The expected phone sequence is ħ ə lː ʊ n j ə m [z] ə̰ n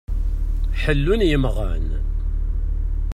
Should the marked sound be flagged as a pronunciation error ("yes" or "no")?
yes